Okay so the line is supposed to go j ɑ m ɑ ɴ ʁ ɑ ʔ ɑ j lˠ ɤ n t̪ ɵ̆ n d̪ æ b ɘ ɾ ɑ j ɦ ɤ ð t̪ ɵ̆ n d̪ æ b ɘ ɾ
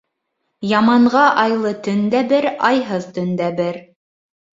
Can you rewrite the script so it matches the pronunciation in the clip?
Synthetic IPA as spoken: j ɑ m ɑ ɴ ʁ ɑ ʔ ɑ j lˠ ɤ t̪ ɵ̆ n d̪ æ b ɘ ɾ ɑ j ɦ ɤ ð t̪ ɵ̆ n d̪ æ b ɘ ɾ